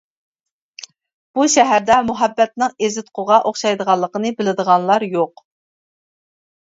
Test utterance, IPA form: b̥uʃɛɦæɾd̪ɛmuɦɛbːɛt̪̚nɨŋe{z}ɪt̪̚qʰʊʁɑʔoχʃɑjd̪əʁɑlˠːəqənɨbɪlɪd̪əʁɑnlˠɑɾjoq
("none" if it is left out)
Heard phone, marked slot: z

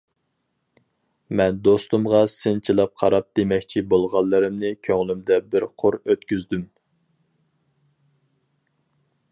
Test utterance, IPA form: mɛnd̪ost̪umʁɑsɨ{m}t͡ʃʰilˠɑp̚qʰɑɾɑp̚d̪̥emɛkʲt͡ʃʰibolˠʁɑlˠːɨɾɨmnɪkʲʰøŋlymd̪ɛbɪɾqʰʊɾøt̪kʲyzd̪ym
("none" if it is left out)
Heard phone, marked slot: n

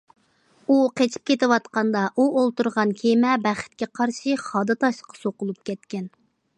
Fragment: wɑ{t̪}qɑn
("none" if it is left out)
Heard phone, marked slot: t̪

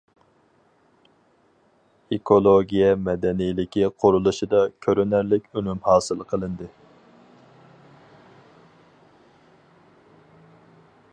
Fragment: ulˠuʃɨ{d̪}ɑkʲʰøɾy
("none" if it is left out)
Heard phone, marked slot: d̪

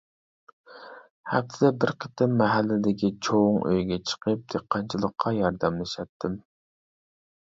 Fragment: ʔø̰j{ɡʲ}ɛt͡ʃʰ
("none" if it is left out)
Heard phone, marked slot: ɡʲ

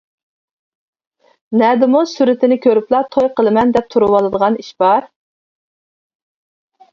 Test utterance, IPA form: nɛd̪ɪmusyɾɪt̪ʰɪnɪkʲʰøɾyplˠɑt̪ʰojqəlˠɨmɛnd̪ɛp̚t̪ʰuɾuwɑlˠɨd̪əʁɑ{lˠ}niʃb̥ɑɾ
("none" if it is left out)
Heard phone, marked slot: none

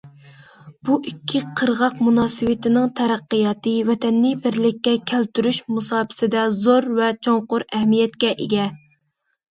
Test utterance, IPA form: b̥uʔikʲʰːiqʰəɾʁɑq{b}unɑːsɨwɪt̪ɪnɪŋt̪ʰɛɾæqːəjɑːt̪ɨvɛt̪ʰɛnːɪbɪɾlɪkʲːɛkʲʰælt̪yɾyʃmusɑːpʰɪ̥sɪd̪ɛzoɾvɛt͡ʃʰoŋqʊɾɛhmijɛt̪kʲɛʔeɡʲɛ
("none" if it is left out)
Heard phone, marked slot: m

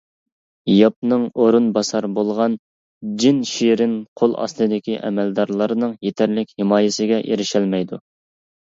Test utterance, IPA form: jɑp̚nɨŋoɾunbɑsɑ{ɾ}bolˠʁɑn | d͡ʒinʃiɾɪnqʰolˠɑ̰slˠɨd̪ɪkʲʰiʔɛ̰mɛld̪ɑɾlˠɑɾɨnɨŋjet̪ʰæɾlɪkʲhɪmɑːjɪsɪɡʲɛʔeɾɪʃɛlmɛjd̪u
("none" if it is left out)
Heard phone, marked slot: ɾ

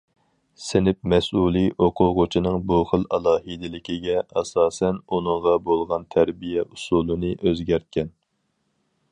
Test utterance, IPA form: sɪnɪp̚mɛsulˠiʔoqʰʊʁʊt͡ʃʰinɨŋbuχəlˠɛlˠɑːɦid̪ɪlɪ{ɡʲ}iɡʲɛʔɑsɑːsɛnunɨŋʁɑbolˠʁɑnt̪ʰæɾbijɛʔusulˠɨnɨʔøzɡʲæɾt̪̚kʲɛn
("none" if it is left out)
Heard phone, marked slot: kʲ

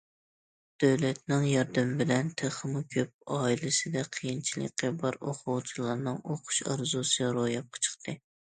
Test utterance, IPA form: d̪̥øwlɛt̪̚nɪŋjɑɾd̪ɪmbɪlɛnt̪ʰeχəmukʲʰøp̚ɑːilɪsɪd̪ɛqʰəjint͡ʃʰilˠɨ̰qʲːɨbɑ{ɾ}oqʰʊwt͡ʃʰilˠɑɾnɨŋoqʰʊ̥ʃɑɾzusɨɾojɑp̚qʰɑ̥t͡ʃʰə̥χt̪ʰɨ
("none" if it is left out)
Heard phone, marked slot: ɾ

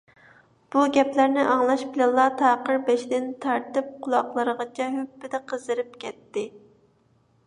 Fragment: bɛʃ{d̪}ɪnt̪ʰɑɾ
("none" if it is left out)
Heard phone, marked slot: d̪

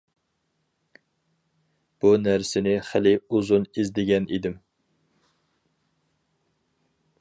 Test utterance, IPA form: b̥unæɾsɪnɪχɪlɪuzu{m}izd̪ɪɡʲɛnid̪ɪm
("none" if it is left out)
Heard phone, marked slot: n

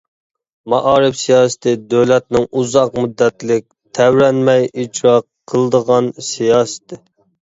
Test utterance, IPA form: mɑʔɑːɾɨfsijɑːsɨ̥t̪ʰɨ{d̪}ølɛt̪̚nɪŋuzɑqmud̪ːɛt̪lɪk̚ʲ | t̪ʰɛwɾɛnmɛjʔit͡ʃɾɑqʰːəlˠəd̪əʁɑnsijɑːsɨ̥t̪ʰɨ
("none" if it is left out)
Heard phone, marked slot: d̪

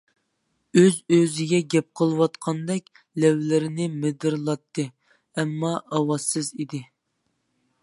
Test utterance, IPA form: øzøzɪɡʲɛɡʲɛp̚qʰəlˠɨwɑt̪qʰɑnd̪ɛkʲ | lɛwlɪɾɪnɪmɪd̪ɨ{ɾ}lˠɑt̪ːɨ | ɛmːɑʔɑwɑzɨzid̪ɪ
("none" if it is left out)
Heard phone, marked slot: ɾ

